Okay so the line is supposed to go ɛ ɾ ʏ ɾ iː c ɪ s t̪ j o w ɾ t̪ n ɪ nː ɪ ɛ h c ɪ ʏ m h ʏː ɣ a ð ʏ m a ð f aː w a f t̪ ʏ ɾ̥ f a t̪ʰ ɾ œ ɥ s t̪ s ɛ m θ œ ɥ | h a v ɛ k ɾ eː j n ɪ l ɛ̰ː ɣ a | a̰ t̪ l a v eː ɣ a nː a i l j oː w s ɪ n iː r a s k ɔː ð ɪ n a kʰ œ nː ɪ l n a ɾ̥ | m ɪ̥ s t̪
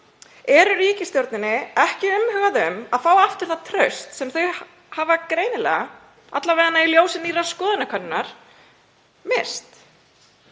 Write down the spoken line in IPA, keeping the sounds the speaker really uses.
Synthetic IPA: ɛ ɾ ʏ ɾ iː c ɪ s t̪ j o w ɾ t̪ n ɪ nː ɪ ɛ h c ɪ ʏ m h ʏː ɣ a ð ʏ m a ð f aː w a f t̪ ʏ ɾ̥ θ a t̪ʰ ɾ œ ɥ s t̪ s ɛ m θ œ ɥ | h a v a k ɾ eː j n ɪ l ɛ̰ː ɣ a | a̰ t̪ l a v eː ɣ a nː a i l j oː w s ɪ n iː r a s k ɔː ð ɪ n a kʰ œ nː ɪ n a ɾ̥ | m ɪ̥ s t̪